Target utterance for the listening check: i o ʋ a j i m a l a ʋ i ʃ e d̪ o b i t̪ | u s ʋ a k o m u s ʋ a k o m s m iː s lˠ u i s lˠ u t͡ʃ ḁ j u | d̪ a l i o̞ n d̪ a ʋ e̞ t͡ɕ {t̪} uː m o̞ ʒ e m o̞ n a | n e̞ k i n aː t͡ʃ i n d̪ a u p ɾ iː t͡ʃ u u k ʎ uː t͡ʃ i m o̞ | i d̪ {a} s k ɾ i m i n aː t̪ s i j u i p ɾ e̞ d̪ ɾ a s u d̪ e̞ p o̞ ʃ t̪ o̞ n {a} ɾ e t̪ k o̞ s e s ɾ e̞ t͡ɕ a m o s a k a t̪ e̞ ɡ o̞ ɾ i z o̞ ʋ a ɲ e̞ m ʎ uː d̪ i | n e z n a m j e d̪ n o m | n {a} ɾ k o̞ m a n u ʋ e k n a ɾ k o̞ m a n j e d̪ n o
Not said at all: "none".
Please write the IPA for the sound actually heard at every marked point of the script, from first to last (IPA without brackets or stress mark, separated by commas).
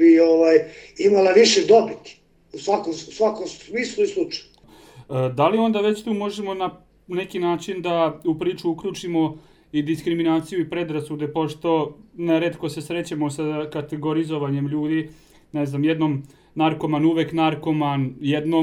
t̪, i, e, a